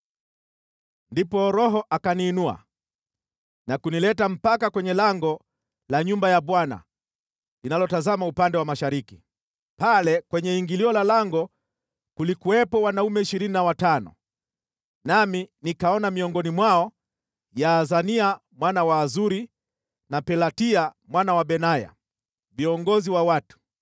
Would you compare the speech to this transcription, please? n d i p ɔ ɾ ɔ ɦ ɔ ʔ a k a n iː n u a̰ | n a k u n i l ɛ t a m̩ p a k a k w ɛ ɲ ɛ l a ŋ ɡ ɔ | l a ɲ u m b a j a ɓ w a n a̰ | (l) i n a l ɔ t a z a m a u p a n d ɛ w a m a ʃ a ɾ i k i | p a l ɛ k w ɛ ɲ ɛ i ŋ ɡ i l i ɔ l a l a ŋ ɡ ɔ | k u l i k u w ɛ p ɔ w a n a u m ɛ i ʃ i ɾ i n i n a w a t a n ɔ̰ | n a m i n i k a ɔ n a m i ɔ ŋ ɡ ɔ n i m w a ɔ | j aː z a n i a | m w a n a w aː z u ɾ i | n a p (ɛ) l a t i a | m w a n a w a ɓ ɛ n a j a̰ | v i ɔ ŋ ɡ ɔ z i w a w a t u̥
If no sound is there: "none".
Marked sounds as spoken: l, ɛ

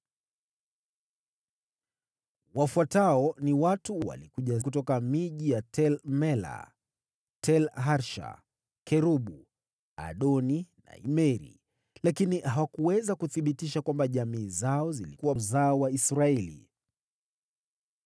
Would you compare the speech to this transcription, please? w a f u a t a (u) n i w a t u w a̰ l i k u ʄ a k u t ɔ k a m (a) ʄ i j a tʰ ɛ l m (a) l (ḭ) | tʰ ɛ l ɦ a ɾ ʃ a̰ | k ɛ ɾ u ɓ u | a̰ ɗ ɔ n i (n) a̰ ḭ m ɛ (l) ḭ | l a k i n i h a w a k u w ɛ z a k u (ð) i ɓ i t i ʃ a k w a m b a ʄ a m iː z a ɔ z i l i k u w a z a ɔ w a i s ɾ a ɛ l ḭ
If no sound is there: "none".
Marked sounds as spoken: ɔ, i, ɛ, a̰, n, ɾ, θ

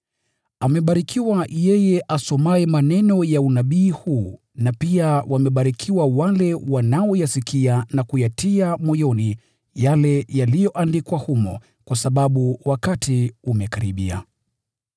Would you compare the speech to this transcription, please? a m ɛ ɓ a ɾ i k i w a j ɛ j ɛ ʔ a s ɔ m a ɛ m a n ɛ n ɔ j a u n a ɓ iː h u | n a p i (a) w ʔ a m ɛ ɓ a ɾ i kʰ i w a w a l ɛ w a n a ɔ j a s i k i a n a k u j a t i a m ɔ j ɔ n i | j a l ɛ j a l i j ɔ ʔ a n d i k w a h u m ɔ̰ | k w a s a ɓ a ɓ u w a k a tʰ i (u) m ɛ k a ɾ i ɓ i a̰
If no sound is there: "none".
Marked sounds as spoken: a, u

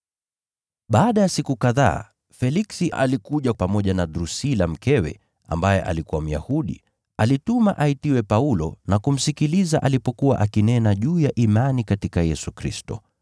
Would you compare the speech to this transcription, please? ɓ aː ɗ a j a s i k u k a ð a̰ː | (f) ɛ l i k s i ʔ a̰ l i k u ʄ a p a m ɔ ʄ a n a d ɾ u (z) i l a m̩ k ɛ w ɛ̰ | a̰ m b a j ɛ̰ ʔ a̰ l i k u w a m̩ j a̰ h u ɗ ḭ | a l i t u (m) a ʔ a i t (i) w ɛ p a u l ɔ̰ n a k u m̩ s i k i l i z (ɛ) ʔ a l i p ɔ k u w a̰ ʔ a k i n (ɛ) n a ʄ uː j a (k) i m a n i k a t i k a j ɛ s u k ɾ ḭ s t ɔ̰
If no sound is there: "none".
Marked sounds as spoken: f, s, m, i, a, ɛ, ʔ

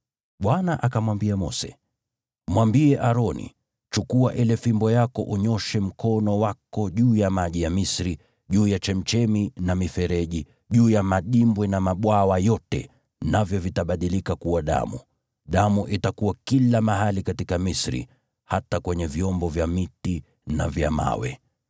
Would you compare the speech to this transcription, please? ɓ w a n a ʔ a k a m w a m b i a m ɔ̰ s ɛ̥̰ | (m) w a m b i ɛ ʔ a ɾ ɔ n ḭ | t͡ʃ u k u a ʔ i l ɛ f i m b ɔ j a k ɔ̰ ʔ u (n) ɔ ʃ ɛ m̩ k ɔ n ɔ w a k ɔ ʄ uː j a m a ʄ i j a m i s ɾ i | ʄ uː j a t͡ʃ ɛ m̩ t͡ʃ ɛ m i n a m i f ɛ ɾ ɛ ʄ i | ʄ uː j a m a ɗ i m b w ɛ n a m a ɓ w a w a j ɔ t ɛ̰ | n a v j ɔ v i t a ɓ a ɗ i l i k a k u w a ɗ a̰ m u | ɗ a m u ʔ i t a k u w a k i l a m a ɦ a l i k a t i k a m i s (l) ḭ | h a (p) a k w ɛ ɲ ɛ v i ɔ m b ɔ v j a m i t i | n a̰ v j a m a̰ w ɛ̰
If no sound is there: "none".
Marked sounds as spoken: m, ɲ, ɾ, t

